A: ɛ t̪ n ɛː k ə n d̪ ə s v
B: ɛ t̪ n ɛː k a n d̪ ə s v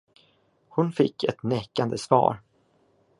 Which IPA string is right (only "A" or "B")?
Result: B